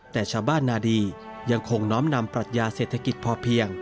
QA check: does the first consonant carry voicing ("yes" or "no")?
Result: no